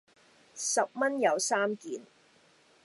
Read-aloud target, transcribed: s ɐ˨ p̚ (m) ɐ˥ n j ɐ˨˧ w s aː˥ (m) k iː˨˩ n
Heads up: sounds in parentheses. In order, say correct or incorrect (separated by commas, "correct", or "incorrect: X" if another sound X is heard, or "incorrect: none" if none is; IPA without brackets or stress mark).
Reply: correct, correct